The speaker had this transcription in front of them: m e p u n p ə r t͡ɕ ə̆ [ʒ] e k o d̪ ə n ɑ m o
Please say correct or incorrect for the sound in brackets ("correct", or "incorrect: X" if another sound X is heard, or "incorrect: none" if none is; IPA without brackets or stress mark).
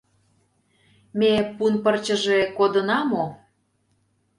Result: correct